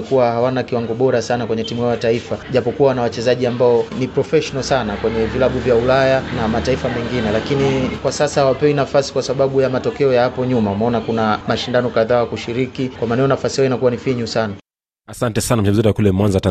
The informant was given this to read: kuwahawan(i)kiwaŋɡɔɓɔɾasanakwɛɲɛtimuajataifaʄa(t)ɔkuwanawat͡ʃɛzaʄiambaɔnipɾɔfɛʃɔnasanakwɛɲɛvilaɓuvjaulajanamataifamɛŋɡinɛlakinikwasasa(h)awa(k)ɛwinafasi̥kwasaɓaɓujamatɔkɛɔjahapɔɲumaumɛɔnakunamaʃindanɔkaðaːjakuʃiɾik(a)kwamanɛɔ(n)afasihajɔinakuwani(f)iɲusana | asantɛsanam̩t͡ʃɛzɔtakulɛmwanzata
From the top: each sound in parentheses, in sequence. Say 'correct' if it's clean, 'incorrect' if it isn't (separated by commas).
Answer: incorrect, incorrect, correct, incorrect, incorrect, correct, correct